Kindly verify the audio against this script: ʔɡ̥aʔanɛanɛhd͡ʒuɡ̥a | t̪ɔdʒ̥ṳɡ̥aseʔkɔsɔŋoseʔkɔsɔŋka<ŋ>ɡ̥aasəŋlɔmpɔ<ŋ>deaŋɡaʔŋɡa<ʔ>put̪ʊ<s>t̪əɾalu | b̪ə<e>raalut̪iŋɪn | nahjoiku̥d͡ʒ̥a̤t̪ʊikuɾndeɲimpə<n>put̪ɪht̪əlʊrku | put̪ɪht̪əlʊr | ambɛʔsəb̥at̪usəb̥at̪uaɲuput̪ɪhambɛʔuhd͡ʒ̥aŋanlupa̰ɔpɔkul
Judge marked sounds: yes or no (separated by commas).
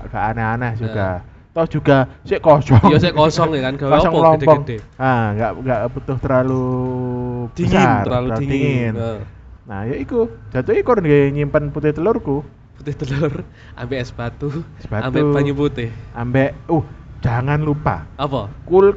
no, yes, yes, no, no, yes